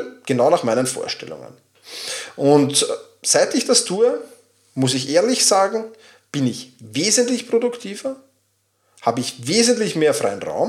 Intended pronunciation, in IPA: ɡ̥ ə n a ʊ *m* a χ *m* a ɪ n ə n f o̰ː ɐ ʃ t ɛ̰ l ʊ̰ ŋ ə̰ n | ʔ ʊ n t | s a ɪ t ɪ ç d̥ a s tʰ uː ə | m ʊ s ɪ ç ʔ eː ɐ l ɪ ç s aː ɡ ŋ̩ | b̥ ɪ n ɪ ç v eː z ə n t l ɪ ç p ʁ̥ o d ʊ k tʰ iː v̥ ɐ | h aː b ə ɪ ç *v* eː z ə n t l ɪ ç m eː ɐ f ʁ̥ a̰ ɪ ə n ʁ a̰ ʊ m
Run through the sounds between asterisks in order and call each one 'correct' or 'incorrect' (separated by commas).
incorrect, correct, correct